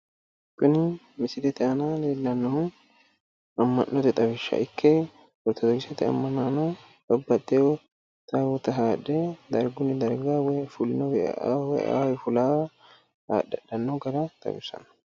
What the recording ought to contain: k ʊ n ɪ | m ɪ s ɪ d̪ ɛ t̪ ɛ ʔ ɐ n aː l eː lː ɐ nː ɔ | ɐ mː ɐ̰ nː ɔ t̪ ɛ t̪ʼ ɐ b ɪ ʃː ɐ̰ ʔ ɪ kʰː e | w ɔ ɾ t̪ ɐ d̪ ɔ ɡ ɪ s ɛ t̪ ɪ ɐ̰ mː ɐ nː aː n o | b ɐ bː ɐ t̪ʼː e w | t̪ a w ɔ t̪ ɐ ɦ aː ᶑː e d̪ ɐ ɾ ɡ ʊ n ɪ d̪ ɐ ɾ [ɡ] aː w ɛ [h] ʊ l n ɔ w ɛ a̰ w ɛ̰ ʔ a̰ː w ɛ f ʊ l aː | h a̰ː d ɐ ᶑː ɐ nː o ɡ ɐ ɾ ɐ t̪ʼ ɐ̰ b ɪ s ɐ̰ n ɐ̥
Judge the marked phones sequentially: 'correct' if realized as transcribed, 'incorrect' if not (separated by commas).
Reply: correct, incorrect